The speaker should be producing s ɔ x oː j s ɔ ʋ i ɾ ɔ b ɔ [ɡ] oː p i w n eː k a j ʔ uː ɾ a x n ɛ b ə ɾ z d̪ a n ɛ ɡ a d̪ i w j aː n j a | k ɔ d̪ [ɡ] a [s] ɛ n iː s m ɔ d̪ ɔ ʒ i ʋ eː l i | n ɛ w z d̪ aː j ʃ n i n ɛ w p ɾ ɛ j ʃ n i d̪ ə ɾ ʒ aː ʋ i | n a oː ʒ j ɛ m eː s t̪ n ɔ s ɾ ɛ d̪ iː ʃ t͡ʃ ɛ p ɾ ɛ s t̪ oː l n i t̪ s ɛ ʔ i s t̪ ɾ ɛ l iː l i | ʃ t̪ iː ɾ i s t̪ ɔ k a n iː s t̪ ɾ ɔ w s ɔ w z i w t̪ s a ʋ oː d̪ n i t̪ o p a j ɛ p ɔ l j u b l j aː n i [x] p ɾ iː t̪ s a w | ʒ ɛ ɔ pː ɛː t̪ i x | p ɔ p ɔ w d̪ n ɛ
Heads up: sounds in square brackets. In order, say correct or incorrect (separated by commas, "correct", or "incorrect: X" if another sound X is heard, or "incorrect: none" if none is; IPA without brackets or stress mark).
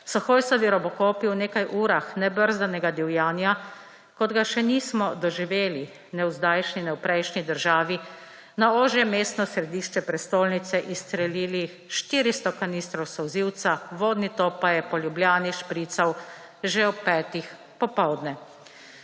incorrect: k, correct, incorrect: ʃ, incorrect: ʃ